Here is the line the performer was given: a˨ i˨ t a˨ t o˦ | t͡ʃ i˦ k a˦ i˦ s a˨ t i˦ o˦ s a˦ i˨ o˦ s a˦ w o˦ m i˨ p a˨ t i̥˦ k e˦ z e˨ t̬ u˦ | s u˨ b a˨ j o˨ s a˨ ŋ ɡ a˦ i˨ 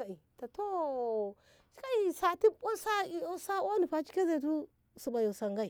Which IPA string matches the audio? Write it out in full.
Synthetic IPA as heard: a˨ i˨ t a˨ t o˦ | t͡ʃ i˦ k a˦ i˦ s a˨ t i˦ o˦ s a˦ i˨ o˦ s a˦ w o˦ n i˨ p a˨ t͡ʃ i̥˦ k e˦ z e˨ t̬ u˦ | s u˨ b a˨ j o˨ s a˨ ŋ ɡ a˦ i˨